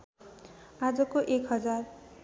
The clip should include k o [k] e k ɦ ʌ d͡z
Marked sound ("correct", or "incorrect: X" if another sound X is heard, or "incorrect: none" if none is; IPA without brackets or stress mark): incorrect: ʔ